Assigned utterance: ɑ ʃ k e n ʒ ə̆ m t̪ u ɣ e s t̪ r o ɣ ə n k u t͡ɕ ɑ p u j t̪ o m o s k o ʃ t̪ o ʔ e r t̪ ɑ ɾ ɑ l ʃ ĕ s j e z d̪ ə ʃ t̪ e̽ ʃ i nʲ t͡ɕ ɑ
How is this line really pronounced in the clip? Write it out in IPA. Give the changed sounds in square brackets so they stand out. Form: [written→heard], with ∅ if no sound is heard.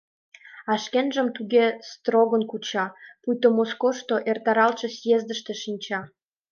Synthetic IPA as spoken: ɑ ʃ k e n ʒ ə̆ m t̪ u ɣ e s t̪ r o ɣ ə n k u t͡ɕ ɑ p u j t̪ o m o s k o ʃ t̪ o ʔ e r t̪ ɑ ɾ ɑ l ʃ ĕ s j e z d̪ ə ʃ t̪ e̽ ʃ i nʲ t͡ɕ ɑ

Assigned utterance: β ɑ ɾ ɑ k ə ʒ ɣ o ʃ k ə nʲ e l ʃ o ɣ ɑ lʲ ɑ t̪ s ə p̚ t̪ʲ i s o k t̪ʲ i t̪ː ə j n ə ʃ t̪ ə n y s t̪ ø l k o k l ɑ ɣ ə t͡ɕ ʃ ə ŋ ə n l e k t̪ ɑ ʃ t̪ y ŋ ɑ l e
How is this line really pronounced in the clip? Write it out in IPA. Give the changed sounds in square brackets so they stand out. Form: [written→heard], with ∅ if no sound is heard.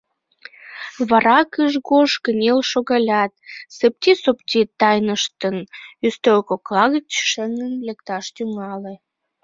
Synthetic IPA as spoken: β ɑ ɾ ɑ k ə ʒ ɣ o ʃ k ə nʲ e l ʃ o ɣ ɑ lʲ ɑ t̪ s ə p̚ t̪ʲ i s o [k→p] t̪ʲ i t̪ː [ə→ɑ] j n ə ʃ t̪ ə n y s t̪ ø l k o k l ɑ ɣ ə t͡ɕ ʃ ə ŋ ə n l e k t̪ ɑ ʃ t̪ y ŋ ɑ l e

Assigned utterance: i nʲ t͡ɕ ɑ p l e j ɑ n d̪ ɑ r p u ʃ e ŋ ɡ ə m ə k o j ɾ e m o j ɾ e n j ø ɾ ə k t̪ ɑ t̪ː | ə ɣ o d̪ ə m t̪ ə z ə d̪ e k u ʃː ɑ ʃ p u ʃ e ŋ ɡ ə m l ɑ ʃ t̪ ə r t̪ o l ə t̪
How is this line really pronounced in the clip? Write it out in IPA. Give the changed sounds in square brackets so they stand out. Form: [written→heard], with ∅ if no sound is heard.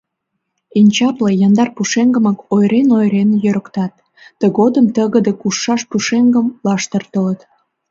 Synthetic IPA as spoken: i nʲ t͡ɕ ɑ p l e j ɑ n d̪ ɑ r p u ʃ e ŋ ɡ ə m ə k o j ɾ e [m→n] o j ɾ e n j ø ɾ ə k t̪ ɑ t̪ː | ə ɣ o d̪ ə m t̪ ə [z→ɣ] ə d̪ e k u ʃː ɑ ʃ p u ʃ e ŋ ɡ ə m l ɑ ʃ t̪ ə r t̪ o l ə t̪

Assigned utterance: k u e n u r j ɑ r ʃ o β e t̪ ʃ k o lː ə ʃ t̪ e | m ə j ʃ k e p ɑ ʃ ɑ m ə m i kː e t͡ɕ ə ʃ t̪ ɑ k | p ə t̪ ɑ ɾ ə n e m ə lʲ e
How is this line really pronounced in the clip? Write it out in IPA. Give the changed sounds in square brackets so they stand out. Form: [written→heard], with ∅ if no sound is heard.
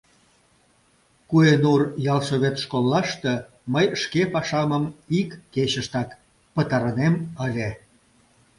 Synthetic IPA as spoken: k u e n u r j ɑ [r→l] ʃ o β e t̪ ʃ k o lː [ə→ɑ] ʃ t̪ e | m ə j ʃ k e p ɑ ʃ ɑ m ə m i kː e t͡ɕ ə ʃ t̪ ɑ k | p ə t̪ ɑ ɾ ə n e m ə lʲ e

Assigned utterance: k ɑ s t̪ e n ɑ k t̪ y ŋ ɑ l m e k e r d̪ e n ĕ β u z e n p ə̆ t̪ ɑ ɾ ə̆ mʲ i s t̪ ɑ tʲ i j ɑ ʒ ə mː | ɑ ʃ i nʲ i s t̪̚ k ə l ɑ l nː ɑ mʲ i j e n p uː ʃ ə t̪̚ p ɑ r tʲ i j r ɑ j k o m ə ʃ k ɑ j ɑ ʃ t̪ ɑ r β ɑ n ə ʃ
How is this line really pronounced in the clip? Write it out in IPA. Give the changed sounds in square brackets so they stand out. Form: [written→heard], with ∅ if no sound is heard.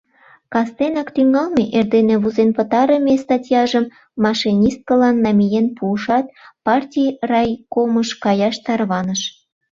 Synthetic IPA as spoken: k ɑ s t̪ e n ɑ k t̪ y ŋ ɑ l m e [k→ʔ] e r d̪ e n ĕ β u z e n p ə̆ t̪ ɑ ɾ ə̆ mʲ [i→e] s t̪ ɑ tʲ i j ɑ ʒ ə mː | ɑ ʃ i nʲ i s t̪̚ k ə l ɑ [l→∅] nː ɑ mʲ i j e n p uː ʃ [ə→ɑ] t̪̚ p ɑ r tʲ i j r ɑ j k o m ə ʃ k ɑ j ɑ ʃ t̪ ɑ r β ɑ n ə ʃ

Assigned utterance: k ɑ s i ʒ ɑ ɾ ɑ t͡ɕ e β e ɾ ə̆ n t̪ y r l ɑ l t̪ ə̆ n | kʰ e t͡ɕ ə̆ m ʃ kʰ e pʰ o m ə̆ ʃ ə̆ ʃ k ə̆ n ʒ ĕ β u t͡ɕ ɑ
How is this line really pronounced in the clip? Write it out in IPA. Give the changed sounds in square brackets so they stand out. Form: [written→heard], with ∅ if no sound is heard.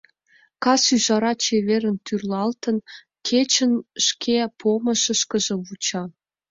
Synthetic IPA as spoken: k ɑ s [i→y] ʒ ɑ ɾ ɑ t͡ɕ e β e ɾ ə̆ n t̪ y r l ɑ l t̪ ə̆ n | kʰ e t͡ɕ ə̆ [m→n] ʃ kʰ e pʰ o m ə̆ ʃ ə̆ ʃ k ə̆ [n→∅] ʒ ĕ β u t͡ɕ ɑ

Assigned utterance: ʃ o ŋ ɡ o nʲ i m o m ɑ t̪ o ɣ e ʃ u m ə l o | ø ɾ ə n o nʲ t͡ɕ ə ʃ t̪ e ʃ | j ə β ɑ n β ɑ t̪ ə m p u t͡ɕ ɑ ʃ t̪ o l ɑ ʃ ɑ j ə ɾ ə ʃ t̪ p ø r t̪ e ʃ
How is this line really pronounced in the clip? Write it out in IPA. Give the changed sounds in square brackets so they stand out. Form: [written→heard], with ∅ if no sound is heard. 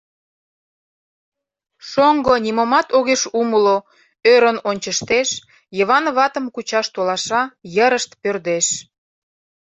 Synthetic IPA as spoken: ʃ o ŋ ɡ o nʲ i m o m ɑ t̪ o ɣ e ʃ u m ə l o | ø ɾ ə n o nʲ t͡ɕ ə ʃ t̪ e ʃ | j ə β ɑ n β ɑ t̪ ə m [p→k] u t͡ɕ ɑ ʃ t̪ o l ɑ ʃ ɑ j ə ɾ ə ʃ t̪ p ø r [t̪→d̪] e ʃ

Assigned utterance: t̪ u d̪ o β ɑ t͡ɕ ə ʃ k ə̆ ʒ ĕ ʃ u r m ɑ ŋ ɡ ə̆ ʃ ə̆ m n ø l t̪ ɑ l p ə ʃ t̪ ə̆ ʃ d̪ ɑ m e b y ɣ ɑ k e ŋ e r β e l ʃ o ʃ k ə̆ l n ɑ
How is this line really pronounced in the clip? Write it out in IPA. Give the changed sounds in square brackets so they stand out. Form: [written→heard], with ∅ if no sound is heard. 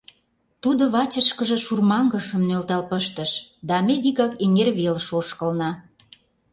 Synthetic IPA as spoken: t̪ u d̪ o β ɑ t͡ɕ ə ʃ k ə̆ ʒ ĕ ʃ u r m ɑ ŋ ɡ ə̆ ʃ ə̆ m n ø l t̪ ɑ l p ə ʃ t̪ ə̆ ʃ d̪ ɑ m e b [y→i] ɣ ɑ k e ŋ e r β e l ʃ o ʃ k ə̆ l n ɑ

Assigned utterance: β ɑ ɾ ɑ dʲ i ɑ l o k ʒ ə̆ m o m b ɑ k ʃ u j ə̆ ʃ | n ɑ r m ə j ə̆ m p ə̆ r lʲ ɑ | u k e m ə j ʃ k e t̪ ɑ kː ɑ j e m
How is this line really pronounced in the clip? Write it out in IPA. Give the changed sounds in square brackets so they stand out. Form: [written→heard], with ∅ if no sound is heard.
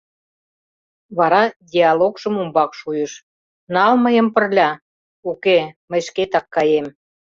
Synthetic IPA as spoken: β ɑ ɾ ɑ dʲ i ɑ l o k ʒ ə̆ m [o→u] m b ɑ k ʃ u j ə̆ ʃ | n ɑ [r→l] m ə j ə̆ m p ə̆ r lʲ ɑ | u k e m ə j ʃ k e t̪ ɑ kː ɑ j e m

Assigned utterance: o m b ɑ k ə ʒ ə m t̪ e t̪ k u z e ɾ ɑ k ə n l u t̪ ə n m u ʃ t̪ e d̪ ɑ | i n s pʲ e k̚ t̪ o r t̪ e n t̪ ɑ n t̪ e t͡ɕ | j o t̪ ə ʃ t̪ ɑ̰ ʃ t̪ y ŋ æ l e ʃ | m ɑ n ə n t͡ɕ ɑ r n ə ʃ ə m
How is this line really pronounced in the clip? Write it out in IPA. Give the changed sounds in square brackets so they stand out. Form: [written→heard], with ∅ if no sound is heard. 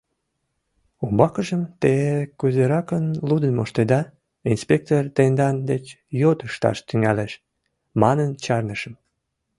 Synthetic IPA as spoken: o m b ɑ k ə ʒ ə m t̪ e [t̪→∅] k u z e ɾ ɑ k ə n l u [t̪→d̪] ə n m [u→o] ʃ t̪ e d̪ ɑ | i n s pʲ e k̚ t̪ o r t̪ e n [t̪→d̪] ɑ n [t̪→d̪] e t͡ɕ | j o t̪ ə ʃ t̪ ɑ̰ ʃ t̪ y ŋ æ l e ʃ | m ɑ n ə n t͡ɕ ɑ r n ə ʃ ə m

